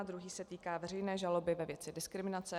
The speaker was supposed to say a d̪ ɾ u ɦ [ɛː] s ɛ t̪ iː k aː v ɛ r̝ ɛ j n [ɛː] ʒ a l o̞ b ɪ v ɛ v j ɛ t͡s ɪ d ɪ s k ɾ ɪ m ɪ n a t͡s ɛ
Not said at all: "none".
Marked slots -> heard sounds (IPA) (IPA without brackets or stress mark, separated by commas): iː, ɛː